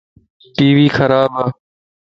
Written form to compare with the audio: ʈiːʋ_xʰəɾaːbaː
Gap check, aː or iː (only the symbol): iː